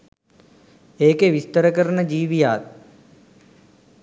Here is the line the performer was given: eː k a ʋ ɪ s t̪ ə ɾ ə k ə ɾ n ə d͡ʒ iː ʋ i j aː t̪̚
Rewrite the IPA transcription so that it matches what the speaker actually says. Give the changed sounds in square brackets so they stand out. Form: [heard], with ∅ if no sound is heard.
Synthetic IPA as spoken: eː k [e] ʋ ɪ s t̪ ə ɾ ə k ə ɾ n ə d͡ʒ iː ʋ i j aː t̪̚